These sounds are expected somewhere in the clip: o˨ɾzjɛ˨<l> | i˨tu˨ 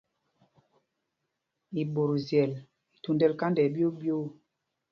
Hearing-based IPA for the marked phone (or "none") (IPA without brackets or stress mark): l